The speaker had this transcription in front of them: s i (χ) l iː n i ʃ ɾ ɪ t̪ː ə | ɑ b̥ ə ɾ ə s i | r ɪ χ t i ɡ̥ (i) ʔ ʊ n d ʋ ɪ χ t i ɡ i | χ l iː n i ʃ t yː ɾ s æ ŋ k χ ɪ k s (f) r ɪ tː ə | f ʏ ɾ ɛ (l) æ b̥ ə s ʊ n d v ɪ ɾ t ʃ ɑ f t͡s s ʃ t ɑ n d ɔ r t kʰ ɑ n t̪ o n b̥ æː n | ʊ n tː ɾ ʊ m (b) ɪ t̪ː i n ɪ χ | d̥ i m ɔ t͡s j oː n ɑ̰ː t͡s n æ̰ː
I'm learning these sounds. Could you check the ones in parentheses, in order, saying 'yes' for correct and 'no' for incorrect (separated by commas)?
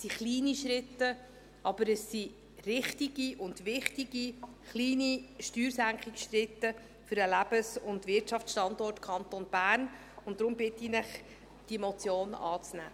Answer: yes, yes, no, yes, yes